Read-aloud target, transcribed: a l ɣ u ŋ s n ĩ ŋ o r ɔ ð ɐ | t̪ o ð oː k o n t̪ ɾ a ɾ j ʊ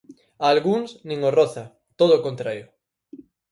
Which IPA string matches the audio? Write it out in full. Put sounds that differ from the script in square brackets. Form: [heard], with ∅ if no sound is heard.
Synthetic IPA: a l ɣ u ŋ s n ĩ ŋ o r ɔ [θ] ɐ | t̪ o ð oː k o n t̪ ɾ a ɾ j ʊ